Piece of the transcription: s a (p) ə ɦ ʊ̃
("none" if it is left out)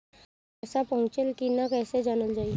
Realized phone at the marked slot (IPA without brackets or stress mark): p